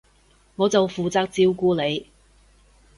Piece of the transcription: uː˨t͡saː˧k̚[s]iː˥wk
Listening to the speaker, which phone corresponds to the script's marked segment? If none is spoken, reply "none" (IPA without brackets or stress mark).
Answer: t͡s